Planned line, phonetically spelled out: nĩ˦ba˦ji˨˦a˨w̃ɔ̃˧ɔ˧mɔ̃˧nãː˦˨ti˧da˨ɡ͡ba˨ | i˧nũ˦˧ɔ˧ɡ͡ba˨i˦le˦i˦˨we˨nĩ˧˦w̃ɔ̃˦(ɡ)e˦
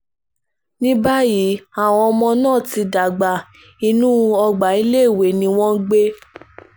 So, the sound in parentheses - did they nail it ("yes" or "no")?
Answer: no